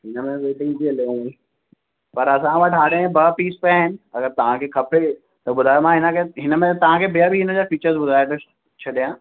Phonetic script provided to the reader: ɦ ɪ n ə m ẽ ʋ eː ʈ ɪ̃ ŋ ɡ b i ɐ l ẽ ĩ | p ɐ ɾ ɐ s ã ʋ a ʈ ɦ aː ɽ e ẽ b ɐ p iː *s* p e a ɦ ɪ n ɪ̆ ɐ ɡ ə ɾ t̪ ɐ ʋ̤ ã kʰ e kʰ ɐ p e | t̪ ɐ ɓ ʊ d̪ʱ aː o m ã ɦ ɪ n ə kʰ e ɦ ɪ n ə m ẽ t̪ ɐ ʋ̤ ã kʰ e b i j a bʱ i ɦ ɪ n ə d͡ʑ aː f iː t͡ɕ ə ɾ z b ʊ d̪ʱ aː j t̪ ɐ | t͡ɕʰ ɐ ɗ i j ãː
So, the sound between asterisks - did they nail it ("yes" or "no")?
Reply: yes